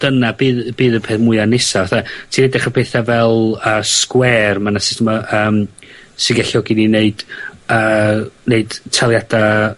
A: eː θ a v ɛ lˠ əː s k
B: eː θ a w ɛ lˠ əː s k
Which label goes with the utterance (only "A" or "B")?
A